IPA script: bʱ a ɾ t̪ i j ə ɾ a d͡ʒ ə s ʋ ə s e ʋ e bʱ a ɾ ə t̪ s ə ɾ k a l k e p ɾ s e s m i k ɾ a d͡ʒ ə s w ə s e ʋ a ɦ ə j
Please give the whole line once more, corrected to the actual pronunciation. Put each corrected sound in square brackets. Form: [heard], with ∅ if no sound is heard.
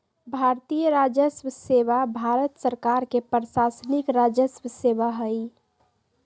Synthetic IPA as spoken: bʱ a ɾ t̪ i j ə ɾ a d͡ʒ ə s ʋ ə s e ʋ [a] bʱ a ɾ ə t̪ s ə ɾ k a [ɾ] k e p ɾ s [a] s [n] i k ɾ a d͡ʒ ə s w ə s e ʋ a ɦ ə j